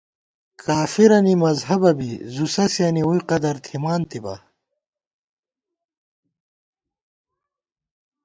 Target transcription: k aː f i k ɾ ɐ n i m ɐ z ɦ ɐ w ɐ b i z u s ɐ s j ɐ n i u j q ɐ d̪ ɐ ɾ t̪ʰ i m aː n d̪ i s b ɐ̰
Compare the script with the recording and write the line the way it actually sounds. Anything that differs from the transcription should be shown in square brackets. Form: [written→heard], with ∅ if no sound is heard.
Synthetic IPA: k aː f i [k→∅] ɾ ɐ n i m ɐ z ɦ ɐ [w→b] ɐ b i z u s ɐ s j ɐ n i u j q ɐ d̪ ɐ ɾ t̪ʰ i m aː n [d̪→t̪] i [s→∅] b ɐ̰